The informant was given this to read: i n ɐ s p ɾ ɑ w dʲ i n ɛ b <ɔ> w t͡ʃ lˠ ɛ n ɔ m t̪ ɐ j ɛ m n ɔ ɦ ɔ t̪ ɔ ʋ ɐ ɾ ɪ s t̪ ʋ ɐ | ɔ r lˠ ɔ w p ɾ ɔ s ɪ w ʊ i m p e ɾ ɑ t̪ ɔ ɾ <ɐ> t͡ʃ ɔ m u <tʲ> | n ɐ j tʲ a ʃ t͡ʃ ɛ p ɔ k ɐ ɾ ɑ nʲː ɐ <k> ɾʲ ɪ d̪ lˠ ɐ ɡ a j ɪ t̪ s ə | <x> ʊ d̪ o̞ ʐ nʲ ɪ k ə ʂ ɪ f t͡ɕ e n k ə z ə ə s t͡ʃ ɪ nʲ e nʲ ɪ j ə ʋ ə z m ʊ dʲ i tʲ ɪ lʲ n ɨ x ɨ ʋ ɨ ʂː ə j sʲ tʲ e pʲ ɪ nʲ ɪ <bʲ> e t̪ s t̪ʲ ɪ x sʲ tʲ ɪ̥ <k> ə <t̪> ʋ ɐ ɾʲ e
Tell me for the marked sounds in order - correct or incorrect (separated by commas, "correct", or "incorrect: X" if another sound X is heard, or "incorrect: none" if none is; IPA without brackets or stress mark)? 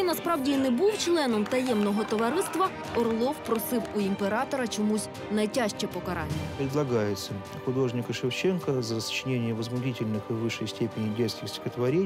incorrect: u, correct, incorrect: sʲ, incorrect: p, correct, correct, incorrect: x, correct